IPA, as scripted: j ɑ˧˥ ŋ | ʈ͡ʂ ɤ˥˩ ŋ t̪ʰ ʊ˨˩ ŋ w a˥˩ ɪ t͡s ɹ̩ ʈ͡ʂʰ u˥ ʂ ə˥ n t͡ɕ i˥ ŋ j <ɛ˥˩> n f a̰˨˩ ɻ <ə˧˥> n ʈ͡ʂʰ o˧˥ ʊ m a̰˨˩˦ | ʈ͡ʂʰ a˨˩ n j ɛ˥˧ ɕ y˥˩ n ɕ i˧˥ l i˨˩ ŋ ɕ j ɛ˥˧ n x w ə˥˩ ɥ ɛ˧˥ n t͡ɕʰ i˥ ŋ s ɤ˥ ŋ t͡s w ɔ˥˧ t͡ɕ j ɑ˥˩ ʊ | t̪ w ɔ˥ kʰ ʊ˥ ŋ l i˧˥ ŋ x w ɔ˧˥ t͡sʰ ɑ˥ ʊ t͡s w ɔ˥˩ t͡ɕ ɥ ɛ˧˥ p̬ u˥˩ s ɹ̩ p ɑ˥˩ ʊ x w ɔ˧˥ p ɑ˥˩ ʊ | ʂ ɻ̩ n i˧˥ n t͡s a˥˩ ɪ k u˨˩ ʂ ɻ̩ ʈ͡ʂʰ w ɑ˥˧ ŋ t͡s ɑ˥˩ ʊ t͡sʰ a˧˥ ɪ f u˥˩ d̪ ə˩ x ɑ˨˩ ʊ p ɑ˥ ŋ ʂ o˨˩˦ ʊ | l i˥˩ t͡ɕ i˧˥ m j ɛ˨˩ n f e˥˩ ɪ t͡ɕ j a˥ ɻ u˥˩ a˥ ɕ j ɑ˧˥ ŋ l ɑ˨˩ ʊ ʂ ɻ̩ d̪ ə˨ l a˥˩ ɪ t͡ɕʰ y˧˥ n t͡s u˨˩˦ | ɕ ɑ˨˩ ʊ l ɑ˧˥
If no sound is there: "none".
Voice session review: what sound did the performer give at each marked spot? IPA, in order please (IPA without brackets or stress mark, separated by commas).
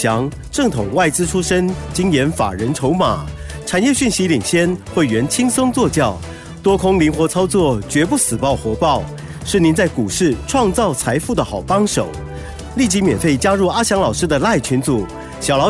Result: ɛ˧˥, ə˧˥